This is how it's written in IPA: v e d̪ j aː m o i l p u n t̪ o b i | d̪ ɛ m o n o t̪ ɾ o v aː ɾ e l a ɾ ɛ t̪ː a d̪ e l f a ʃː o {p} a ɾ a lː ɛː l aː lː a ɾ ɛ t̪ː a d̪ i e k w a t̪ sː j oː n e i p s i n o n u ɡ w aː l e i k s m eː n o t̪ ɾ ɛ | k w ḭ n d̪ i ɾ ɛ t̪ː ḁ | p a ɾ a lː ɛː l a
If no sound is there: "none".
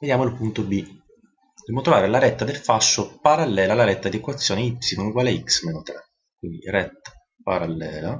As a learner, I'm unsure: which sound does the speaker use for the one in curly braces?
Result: p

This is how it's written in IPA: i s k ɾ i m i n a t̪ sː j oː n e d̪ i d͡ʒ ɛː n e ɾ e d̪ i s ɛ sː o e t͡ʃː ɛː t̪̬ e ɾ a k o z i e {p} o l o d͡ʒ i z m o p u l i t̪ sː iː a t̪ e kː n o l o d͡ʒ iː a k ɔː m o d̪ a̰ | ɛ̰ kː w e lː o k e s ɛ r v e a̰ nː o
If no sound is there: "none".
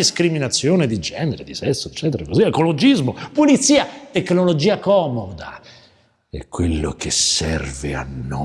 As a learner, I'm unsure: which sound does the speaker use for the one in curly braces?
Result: k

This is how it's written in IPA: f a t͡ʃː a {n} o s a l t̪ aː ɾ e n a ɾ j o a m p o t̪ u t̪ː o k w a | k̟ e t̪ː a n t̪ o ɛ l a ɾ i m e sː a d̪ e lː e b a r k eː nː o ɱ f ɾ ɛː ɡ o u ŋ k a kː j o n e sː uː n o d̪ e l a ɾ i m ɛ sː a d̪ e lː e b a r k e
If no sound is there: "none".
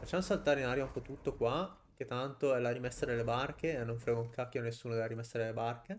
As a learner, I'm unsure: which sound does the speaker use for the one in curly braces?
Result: m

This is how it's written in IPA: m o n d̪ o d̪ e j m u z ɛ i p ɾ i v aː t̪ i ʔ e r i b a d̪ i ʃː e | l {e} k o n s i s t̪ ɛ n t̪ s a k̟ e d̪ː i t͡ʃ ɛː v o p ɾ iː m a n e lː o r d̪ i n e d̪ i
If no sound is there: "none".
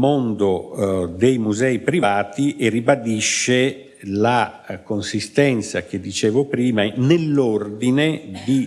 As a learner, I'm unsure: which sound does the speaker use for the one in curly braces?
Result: a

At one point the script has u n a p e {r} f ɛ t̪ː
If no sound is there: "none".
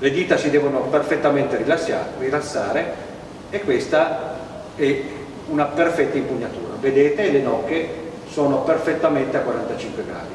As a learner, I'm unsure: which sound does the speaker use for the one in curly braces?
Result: r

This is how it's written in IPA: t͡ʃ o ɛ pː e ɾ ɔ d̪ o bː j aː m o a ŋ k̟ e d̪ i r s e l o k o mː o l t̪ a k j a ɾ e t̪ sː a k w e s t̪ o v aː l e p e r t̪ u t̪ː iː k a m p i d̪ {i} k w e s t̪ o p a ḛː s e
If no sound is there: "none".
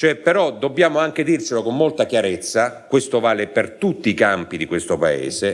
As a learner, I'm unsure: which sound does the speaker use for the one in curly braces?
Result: i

